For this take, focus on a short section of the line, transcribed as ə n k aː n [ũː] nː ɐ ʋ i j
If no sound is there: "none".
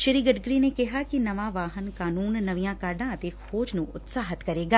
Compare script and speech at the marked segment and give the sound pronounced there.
uː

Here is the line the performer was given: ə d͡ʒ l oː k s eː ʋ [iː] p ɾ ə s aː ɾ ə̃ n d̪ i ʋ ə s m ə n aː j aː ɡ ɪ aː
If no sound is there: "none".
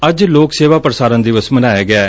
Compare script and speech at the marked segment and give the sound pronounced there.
aː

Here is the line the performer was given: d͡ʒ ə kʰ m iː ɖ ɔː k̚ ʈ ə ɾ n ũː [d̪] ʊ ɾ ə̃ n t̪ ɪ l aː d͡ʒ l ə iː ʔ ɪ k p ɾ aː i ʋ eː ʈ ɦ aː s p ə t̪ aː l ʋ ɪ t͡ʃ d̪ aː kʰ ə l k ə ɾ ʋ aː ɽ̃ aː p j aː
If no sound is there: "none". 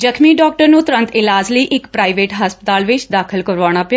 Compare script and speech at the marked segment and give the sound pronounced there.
t̪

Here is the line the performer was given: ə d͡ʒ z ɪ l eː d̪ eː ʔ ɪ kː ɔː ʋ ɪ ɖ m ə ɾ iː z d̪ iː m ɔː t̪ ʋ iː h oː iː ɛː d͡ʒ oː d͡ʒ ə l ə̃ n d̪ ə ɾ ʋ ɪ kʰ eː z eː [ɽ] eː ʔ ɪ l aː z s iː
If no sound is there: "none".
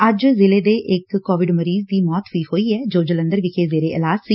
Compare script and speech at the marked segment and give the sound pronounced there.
ɾ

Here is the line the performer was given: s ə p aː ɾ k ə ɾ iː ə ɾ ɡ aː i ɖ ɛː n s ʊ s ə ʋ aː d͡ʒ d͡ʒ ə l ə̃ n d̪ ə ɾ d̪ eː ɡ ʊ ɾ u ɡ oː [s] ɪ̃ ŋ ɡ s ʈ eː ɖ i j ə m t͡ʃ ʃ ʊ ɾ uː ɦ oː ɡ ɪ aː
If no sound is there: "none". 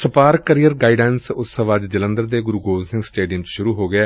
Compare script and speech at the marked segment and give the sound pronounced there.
s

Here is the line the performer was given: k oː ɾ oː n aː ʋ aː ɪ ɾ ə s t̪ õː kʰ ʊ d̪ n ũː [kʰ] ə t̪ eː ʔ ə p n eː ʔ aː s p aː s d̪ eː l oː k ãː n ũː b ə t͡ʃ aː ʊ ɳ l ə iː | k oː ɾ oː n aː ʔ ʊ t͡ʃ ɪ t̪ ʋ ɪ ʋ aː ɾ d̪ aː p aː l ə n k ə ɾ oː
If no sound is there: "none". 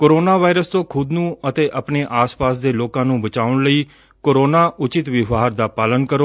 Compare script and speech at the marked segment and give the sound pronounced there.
none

